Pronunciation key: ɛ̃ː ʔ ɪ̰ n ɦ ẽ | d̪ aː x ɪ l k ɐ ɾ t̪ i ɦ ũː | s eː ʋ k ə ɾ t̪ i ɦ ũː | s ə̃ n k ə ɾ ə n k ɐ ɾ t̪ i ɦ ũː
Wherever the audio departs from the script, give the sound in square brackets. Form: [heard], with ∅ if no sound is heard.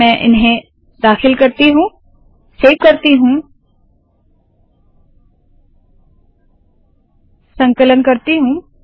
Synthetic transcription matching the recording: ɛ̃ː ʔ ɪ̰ n ɦ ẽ | d̪ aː x ɪ l k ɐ ɾ t̪ i ɦ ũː | s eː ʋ k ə ɾ t̪ i ɦ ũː | s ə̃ [ŋ] k ə [l] ə n k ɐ ɾ t̪ i ɦ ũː